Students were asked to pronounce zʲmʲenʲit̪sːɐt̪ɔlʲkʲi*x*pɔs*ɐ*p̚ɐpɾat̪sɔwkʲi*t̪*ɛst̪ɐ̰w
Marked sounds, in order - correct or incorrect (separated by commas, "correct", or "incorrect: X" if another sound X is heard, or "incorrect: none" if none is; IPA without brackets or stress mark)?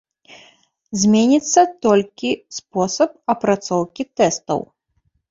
incorrect: s, correct, correct